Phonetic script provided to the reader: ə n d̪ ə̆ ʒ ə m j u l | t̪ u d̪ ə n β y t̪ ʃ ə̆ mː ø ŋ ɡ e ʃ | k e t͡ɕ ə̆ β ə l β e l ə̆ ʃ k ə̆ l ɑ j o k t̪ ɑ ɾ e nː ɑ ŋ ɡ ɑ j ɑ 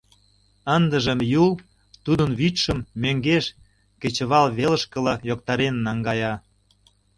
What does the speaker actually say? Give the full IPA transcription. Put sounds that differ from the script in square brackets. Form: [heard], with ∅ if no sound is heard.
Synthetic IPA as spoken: ə n d̪ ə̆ ʒ ə m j u l | t̪ u d̪ ə n β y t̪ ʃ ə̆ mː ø ŋ ɡ e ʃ | k e t͡ɕ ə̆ β [ɑ] l β e l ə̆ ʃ k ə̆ l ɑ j o k t̪ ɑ ɾ e nː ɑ ŋ ɡ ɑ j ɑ